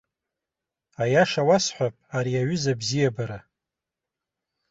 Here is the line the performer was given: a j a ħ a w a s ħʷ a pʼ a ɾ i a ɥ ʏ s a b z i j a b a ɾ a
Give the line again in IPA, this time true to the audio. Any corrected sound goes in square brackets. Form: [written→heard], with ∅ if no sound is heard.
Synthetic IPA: a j a [ħ→ʂ] a w a s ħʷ a pʼ a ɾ i a ɥ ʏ [s→z] a b z i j a b a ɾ a